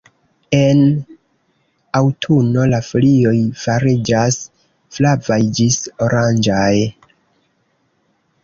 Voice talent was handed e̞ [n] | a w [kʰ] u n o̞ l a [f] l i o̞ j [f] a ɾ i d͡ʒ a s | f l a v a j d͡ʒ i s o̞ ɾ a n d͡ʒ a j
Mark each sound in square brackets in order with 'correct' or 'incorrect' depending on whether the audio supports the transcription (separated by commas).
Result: correct, incorrect, correct, correct